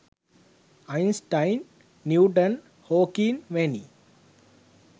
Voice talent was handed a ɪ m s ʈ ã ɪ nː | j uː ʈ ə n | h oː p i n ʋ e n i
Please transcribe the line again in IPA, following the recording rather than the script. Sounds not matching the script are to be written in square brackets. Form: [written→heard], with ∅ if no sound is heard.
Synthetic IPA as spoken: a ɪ [m→n] s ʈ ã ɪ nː | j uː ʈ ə n | h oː [p→k] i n ʋ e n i

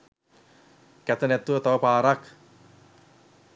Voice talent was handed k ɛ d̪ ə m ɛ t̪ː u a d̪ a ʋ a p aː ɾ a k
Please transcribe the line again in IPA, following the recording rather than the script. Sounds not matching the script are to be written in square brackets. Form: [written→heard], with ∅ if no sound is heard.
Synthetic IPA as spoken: k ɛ [d̪→t̪] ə [m→n] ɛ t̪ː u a [d̪→t̪] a [ʋ→w] a p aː ɾ a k

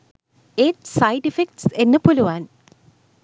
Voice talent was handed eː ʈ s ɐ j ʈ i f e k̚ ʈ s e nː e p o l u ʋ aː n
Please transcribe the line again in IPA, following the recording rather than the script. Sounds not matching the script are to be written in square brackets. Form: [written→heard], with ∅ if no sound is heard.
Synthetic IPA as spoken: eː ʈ s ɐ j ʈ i f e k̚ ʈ s e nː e p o l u ʋ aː n

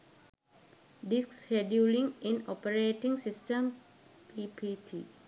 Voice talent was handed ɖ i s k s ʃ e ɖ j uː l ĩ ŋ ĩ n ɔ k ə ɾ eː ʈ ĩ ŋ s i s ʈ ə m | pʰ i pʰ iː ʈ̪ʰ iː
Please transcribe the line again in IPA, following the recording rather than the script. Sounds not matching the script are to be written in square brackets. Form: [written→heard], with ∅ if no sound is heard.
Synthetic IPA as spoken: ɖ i s k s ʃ e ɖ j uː l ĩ ŋ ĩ n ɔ [k→p] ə ɾ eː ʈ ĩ ŋ s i s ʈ ə m | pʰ i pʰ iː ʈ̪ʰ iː

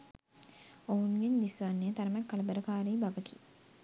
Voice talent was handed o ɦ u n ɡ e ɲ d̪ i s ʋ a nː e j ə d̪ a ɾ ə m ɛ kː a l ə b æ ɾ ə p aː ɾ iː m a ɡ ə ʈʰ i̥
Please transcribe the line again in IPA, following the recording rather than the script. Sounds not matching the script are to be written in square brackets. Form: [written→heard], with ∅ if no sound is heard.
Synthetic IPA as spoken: o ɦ u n ɡ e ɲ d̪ i s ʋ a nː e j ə [d̪→t̪] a ɾ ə m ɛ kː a l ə b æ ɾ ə [p→k] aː ɾ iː [m→b] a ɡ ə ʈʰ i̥

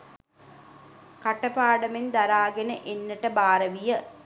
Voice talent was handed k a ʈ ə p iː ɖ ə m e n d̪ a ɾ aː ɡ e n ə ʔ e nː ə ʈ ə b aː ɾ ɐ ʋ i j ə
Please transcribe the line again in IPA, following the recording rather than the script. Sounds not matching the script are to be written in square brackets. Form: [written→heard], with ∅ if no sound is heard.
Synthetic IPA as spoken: k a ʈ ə p [iː→aː] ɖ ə m e n d̪ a ɾ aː ɡ e n ə ʔ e nː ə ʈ ə b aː ɾ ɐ ʋ i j ə

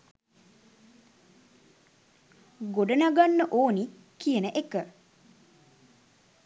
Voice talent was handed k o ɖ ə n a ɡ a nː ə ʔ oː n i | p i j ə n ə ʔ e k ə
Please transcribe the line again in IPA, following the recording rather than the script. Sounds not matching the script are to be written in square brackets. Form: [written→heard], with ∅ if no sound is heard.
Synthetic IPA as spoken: [k→ɡ] o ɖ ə n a ɡ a nː ə ʔ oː n i | [p→k] i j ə n ə ʔ e k ə

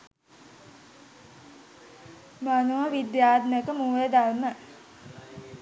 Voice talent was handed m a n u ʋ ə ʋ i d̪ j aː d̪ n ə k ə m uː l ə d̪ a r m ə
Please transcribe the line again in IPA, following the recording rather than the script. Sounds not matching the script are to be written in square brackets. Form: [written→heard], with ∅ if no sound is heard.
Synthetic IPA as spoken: m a n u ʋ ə ʋ i d̪ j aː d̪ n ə k ə m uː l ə d̪ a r m ə

